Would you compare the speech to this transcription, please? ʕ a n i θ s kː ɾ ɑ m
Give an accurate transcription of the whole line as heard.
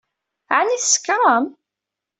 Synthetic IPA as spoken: ʕ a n i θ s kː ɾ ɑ m